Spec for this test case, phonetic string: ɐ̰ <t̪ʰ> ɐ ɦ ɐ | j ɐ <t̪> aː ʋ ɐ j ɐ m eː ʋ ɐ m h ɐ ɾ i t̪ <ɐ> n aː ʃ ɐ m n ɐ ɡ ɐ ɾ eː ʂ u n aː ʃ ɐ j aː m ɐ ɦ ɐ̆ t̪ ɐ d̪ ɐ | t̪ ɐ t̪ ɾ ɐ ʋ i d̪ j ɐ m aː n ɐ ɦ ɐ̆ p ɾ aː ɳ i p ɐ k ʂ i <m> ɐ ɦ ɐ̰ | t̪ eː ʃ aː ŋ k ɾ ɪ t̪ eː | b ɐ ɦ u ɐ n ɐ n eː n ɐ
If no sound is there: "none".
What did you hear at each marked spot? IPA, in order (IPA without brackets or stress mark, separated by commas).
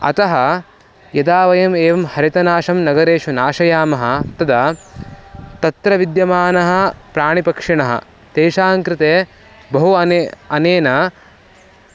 t̪, d̪, ɐ, ɳ